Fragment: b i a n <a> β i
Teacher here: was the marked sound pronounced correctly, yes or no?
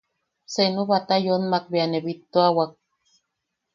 no